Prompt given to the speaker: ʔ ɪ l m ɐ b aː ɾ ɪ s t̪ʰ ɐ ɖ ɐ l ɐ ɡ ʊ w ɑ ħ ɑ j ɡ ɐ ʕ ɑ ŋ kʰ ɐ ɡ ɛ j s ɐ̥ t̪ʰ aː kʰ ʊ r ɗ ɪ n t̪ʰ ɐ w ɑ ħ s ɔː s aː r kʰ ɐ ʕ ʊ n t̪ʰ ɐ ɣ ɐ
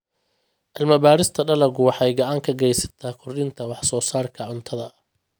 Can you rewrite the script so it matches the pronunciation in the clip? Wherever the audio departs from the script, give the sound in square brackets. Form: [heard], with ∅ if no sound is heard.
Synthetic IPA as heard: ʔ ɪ l m ɐ b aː ɾ ɪ s t̪ʰ ɐ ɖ ɐ l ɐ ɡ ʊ w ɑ ħ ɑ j ɡ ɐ ʕ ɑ ŋ kʰ ɐ ɡ ɛ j s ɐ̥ t̪ʰ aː kʰ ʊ r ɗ ɪ n t̪ʰ ɐ w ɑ ħ s ɔː s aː r kʰ ɐ ʕ ʊ n t̪ʰ ɐ [ð] ɐ

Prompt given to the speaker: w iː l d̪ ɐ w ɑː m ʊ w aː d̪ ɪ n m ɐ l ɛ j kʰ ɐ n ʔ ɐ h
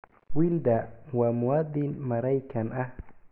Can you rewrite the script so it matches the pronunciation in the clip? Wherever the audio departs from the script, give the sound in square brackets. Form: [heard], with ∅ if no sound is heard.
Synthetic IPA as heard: w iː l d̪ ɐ w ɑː m ʊ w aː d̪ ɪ n m ɐ [ɾ] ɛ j kʰ ɐ n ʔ ɐ h

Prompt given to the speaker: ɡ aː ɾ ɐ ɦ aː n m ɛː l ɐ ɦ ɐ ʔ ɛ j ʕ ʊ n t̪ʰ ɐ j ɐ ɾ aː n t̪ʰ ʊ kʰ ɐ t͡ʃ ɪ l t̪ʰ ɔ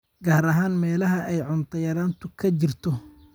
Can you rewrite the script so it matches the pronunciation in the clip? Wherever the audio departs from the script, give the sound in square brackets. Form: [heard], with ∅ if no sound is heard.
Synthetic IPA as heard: ɡ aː ɾ ɐ ɦ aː n m ɛː l ɐ ɦ ɐ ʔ ɛ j ʕ ʊ n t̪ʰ ɐ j ɐ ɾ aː n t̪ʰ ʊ kʰ ɐ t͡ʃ ɪ [r] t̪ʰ ɔ

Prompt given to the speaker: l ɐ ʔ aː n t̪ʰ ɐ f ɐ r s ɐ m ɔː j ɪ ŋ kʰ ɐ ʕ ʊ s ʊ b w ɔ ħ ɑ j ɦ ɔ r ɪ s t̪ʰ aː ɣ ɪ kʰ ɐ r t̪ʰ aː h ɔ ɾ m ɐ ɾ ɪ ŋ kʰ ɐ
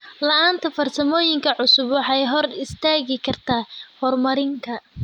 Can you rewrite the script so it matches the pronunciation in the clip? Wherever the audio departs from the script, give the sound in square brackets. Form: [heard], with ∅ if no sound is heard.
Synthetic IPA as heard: l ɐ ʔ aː n t̪ʰ ɐ f ɐ r s ɐ m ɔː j ɪ ŋ kʰ ɐ ʕ ʊ s ʊ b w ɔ ħ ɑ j ɦ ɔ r ɪ s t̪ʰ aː ɣ ɪ kʰ ɐ r t̪ʰ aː h ɔ [r] m ɐ ɾ ɪ ŋ kʰ ɐ

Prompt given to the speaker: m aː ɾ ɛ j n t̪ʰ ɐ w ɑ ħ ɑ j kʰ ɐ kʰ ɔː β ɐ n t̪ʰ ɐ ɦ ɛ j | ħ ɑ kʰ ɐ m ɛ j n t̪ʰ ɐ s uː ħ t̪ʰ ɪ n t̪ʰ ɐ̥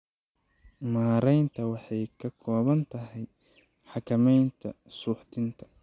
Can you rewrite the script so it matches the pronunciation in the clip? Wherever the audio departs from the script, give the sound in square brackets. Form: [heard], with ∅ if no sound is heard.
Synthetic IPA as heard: m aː ɾ ɛ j n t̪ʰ ɐ w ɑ ħ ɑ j kʰ ɐ kʰ ɔː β ɐ n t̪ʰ ɐ ɦ ɛ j | ħ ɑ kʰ ɐ m ɛ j n t̪ʰ ɐ s uː ħ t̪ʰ ɪ n t̪ʰ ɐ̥

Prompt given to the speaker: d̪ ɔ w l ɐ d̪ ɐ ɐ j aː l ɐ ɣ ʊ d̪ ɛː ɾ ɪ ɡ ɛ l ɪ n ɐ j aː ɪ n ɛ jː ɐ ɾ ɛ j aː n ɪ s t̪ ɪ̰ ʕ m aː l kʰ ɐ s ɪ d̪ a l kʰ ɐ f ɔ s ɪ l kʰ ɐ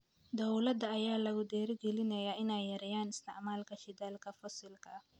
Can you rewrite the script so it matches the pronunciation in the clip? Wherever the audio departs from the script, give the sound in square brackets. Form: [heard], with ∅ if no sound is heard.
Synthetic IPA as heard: d̪ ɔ w l ɐ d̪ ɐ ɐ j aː l ɐ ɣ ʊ d̪ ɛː ɾ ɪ ɡ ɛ l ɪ n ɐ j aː ɪ n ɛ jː ɐ ɾ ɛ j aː n ɪ s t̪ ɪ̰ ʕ m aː l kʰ ɐ [ʃ] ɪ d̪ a l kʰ ɐ f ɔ s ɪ l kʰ ɐ

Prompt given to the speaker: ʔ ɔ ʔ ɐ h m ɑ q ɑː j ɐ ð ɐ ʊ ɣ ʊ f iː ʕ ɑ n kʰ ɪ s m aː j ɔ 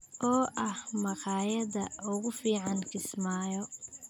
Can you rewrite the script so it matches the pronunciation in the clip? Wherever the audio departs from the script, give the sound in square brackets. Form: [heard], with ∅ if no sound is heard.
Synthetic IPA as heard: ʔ [ɔː] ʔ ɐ h m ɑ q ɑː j ɐ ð ɐ ʊ ɣ ʊ f iː ʕ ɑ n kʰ ɪ s m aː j ɔ

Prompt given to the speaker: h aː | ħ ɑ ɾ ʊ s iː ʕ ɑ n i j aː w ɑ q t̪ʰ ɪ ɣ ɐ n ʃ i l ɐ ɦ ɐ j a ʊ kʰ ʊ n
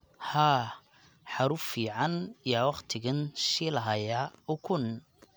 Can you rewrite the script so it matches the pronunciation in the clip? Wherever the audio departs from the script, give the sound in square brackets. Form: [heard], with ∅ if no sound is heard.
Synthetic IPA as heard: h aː | ħ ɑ ɾ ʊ [f] iː ʕ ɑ n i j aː w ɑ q t̪ʰ ɪ ɣ ɐ n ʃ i l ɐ ɦ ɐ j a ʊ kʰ ʊ n

